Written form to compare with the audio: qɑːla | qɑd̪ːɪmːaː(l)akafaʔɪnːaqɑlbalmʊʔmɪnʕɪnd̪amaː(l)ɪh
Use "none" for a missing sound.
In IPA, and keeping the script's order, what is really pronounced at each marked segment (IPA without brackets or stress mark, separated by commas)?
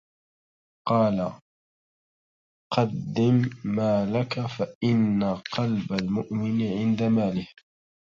l, l